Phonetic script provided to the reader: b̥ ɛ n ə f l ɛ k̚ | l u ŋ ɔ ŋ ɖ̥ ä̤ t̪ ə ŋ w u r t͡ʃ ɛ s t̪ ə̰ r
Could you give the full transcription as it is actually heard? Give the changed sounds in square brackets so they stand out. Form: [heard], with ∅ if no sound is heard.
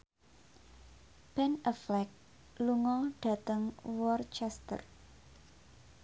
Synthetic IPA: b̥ ɛ n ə f l ɛ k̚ | l u ŋ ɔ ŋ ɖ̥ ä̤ t̪ ə ŋ w [ɔ] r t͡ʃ ɛ s t̪ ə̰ r

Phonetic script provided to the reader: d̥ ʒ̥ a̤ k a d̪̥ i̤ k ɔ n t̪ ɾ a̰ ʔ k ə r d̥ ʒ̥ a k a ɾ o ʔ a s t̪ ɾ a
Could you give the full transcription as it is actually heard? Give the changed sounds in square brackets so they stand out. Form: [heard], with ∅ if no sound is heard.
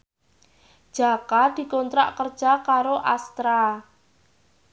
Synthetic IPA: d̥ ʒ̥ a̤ k a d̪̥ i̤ k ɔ n t̪ ɾ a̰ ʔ k ə r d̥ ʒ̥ a k a ɾ o ʔ a s t̪ ɾ a

